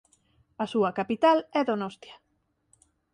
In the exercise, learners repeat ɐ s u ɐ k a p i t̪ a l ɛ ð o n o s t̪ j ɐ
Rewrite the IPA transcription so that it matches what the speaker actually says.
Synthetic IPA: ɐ s u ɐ k a p i t̪ a l ɛ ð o n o s t̪ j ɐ